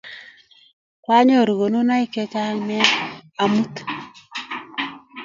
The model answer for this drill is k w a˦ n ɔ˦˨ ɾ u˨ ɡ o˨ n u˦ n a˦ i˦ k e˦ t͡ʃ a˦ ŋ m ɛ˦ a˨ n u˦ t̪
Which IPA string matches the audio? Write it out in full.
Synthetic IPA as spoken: k w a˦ ɲ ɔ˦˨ ɾ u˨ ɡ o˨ n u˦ n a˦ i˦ k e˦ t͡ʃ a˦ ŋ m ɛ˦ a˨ m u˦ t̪